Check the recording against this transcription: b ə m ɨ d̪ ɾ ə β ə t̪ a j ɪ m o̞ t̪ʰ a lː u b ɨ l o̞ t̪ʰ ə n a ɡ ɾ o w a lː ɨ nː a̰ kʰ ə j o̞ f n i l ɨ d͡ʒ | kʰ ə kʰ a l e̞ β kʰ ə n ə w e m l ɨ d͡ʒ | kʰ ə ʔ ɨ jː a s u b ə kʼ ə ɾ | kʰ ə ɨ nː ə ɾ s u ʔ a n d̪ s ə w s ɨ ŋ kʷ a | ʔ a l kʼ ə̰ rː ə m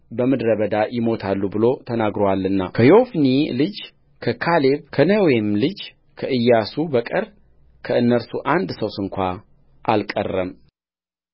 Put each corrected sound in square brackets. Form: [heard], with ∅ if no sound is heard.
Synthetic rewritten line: b ə m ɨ d̪ ɾ ə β ə [d̪] a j ɪ m o̞ t̪ʰ a lː u b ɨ l o̞ t̪ʰ ə n a ɡ ɾ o w a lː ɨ nː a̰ kʰ ə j o̞ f n i l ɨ d͡ʒ | kʰ ə kʰ a l e̞ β kʰ ə n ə w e m l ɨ d͡ʒ | kʰ ə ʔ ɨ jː a s u b ə kʼ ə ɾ | kʰ ə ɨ nː ə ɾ s u ʔ a n d̪ s ə w s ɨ ŋ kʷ a | ʔ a l kʼ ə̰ rː ə m